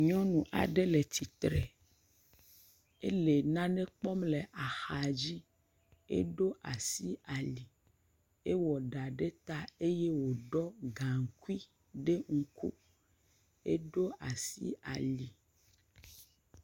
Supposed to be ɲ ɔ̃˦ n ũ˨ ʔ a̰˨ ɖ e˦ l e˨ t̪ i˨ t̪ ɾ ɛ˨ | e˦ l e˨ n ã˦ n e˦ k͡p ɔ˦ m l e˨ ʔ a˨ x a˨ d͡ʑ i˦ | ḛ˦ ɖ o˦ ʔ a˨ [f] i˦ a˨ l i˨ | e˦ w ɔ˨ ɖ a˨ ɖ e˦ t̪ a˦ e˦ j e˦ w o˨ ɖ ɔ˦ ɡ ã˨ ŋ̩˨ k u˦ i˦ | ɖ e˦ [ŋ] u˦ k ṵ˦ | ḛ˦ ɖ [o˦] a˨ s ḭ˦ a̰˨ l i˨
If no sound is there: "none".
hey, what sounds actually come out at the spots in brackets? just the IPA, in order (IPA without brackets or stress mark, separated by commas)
s, ŋ, o˦